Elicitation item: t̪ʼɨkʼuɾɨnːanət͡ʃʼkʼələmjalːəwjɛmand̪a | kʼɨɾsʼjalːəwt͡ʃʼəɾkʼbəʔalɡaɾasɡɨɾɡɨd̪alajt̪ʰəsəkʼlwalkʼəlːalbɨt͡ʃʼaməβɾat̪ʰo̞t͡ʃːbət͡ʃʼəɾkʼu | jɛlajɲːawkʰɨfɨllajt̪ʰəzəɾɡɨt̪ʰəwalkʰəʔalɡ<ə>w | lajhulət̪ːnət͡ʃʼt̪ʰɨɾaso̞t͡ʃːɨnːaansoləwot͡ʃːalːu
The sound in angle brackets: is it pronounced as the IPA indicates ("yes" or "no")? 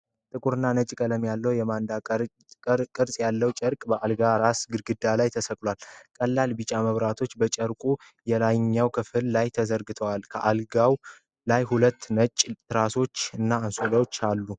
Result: no